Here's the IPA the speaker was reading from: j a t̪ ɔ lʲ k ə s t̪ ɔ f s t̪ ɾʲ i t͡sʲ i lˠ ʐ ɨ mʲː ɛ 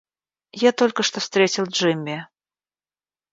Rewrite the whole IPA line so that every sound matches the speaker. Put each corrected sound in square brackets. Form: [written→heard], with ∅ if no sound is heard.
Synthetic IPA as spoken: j a t̪ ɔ lʲ k ə [s→ʂ] t̪ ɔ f s t̪ ɾʲ [i→e] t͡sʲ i lˠ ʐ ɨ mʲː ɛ